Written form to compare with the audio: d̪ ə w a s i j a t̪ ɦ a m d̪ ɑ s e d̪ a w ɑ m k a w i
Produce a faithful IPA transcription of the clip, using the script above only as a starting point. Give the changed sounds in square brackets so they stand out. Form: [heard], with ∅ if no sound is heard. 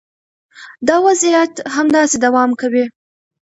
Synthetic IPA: d̪ [ɑ] w a [z] i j a t̪ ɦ a m d̪ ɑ s e d̪ a w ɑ m k a w i